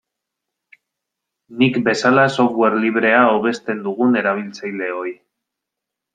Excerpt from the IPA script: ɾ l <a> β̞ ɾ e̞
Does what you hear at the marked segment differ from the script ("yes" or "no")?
yes